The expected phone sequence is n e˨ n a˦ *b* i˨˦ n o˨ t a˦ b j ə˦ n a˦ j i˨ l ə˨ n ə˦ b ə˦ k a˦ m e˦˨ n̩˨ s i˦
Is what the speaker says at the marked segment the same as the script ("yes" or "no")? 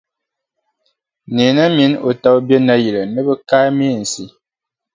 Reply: no